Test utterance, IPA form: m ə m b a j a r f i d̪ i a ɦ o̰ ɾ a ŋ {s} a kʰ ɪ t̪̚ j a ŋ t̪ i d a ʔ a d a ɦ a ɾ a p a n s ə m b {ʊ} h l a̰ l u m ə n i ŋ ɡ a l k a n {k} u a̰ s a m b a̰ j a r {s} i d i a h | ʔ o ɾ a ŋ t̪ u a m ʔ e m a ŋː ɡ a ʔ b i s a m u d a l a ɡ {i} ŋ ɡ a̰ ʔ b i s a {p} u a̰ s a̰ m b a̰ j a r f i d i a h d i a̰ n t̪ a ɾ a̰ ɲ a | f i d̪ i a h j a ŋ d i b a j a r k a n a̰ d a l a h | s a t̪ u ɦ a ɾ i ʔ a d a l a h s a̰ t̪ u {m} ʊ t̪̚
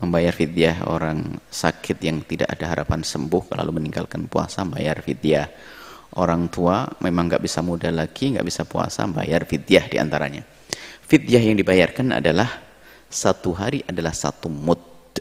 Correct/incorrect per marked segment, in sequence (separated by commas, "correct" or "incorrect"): correct, correct, incorrect, incorrect, correct, correct, correct